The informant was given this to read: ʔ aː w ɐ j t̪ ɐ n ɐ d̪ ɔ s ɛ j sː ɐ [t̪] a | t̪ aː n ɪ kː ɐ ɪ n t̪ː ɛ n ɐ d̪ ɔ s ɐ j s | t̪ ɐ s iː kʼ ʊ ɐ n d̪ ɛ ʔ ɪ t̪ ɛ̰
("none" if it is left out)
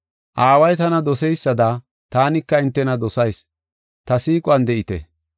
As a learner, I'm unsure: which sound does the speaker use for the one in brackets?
d̪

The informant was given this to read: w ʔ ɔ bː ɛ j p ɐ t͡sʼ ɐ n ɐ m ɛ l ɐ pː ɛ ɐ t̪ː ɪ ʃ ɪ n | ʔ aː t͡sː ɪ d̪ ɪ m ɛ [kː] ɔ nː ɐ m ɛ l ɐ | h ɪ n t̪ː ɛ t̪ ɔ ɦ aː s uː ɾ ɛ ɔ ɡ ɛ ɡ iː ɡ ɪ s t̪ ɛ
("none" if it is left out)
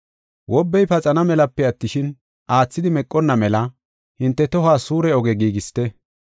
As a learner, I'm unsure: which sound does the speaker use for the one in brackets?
kʼː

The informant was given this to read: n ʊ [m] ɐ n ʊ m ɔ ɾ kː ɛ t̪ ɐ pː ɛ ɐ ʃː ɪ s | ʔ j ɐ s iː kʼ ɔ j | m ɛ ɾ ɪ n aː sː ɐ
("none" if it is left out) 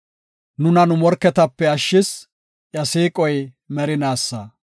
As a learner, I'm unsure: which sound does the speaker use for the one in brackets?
n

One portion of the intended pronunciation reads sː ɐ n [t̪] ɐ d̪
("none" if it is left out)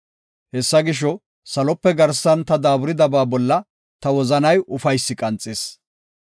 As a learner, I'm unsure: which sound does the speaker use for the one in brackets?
t̪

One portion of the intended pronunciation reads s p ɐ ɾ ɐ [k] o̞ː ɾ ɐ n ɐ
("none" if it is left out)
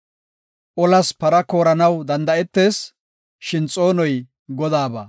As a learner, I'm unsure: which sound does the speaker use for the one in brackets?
k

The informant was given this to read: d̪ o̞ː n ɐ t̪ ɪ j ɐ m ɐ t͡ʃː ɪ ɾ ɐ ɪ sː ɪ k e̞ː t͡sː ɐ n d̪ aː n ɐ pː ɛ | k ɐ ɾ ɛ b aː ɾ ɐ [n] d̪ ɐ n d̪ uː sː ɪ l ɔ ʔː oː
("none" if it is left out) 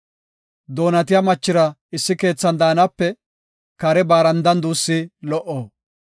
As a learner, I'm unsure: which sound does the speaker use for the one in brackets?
n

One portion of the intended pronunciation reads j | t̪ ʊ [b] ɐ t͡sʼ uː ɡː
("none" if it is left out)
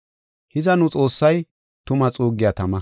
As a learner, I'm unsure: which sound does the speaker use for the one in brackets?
m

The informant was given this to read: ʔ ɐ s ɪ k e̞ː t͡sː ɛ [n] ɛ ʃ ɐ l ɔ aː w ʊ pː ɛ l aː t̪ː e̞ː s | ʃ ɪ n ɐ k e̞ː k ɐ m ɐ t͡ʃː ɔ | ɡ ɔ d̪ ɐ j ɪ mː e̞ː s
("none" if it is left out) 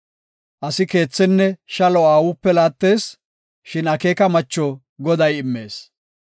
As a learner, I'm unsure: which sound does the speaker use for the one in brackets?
nː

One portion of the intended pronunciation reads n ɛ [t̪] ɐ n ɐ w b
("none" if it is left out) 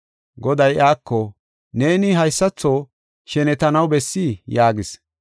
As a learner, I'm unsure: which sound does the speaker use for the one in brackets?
t̪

